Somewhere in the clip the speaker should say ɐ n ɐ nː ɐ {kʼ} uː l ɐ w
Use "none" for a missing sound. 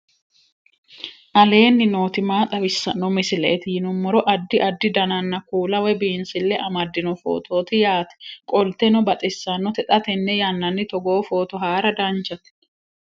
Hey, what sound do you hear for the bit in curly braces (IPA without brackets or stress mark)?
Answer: k